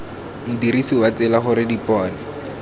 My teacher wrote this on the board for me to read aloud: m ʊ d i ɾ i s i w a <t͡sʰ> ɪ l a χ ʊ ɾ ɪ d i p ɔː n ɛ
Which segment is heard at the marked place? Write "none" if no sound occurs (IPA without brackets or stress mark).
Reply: t͡s